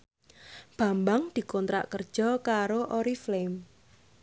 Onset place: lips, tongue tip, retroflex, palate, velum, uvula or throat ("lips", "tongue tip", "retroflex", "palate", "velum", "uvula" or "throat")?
lips